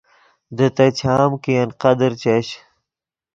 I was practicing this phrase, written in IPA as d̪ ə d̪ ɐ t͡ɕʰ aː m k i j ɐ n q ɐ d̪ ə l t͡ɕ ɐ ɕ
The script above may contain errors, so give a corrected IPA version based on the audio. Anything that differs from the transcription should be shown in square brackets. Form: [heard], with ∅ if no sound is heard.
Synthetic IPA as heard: d̪ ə [t̪] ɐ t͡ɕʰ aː m k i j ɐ n q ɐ d̪ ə [ɾ] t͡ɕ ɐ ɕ